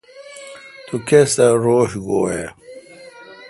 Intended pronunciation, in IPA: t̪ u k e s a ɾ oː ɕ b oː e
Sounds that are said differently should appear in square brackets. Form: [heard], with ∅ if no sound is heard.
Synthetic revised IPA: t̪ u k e s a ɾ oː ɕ [ɡ] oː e